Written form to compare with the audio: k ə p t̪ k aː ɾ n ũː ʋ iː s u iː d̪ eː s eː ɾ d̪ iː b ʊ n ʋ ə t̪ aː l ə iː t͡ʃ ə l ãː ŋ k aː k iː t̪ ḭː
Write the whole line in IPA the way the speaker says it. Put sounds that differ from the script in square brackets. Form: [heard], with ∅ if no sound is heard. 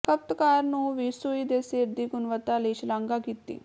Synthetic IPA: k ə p t̪ k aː ɾ n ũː ʋ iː s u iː d̪ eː s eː ɾ d̪ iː [ɡ] ʊ n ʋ ə t̪ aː l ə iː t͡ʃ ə l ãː ŋ [ɡ] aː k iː t̪ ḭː

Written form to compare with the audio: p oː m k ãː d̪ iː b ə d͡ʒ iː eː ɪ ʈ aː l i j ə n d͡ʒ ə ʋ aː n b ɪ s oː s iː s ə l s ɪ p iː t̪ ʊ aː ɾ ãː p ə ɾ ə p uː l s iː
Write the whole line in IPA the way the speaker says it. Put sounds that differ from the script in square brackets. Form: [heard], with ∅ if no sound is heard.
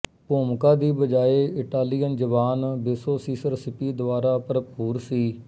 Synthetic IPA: p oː m k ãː d̪ iː b ə d͡ʒ [aː] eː ɪ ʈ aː l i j ə n d͡ʒ ə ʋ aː n b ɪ s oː s iː s ə [ɾ] s ɪ p iː [d̪] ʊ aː ɾ [aː] p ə ɾ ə p uː [ɾ] s iː

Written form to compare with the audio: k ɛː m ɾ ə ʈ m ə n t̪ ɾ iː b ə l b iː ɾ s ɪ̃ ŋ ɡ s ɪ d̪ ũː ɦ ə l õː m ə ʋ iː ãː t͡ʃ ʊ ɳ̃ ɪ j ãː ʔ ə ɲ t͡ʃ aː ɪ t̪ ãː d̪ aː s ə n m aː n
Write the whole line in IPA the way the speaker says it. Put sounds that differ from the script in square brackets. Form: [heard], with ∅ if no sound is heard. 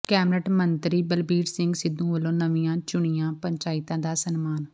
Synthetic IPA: k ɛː m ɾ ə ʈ m ə n t̪ ɾ iː b ə l b iː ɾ s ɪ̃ ŋ ɡ s ɪ d̪ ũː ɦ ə l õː [n] ə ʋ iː ãː t͡ʃ ʊ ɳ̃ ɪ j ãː [p] ə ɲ t͡ʃ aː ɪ t̪ ãː d̪ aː s ə n m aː n

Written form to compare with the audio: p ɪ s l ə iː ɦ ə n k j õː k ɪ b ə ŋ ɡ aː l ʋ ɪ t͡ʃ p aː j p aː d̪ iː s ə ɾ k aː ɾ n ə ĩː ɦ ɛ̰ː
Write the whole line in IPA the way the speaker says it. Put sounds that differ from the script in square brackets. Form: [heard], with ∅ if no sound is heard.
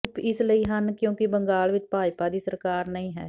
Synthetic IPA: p ɪ s l ə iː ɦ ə n k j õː k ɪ b ə ŋ ɡ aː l ʋ ɪ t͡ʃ p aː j p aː d̪ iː s ə ɾ k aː ɾ n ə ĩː ɦ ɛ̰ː

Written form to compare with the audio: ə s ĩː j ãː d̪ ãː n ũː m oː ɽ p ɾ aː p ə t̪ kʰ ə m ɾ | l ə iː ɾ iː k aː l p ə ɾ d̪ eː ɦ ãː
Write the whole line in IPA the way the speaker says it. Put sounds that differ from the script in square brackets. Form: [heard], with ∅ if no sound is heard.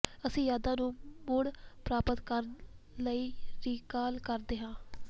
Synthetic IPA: ə s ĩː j [aː] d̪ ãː n ũː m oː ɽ p ɾ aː p ə t̪ [k] ə [∅] ɾ | l ə iː ɾ iː k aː l [k] ə ɾ d̪ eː ɦ ãː

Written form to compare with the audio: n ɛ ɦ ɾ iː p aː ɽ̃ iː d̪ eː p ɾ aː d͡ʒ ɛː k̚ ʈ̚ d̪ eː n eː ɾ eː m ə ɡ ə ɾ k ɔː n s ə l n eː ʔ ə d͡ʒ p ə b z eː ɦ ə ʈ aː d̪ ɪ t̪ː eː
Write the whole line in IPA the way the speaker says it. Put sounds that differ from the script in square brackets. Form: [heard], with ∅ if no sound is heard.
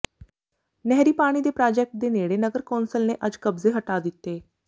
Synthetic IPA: n ɛ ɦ ɾ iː p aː ɽ̃ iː d̪ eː p ɾ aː d͡ʒ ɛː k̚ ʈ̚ d̪ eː n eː [ɽ] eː [n] ə ɡ ə ɾ k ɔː n s ə l n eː ʔ ə d͡ʒ [k] ə b z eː ɦ ə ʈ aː d̪ ɪ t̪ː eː

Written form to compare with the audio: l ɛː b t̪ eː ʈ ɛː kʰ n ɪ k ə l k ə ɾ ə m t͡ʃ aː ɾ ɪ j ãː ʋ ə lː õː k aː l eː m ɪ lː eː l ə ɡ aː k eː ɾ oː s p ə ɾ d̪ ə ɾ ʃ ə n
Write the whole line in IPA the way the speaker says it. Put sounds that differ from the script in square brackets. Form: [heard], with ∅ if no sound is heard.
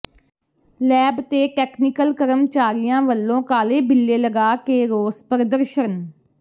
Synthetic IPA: l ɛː b t̪ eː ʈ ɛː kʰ n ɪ k ə l k ə ɾ ə m t͡ʃ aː ɾ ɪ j ãː ʋ ə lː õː k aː l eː [b] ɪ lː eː l ə ɡ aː k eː ɾ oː s p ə ɾ d̪ ə ɾ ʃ ə n

